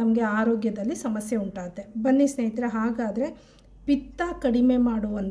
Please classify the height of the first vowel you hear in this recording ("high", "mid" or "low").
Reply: low